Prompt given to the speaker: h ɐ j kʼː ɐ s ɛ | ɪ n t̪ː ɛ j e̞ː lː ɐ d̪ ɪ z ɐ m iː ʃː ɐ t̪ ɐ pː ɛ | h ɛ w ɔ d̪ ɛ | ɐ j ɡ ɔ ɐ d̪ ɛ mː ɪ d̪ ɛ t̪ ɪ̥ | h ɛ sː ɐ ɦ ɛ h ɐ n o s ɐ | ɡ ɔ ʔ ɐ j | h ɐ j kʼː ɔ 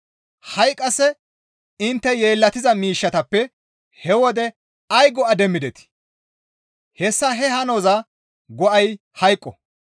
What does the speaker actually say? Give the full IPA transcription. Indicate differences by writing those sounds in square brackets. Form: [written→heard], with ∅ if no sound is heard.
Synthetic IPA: h ɐ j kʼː ɐ s ɛ | ɪ n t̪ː ɛ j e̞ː lː ɐ [d̪→t̪] ɪ z ɐ m iː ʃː ɐ t̪ ɐ pː ɛ | h ɛ w ɔ d̪ ɛ | ɐ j ɡ ɔ ɐ d̪ ɛ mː ɪ d̪ ɛ t̪ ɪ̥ | h ɛ sː ɐ ɦ ɛ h ɐ n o [s→z] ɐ | ɡ ɔ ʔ ɐ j | h ɐ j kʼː ɔ